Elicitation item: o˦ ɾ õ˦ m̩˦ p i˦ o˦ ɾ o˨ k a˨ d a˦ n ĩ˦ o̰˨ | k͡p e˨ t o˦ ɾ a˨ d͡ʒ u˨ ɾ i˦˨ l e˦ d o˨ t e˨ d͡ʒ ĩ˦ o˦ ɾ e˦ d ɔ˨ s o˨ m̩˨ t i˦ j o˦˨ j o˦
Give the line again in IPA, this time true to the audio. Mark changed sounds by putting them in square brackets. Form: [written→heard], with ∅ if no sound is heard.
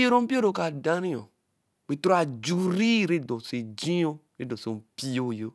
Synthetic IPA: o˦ ɾ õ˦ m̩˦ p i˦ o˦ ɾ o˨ k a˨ d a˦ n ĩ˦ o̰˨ | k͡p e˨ t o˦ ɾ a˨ d͡ʒ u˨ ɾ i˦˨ [l→ɾ] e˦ d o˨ [t→s] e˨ d͡ʒ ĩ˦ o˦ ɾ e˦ d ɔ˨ s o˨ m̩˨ [t→p] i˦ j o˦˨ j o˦